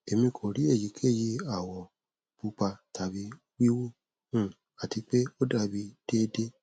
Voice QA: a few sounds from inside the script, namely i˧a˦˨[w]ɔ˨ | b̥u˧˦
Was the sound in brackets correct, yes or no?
yes